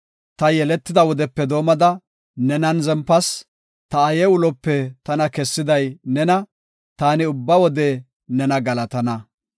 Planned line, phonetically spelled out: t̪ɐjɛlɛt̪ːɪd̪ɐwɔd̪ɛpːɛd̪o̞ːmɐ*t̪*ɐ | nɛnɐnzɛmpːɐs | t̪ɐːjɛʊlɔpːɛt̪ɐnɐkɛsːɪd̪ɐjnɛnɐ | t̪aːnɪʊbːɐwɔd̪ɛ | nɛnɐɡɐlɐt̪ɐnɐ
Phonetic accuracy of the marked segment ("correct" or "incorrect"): incorrect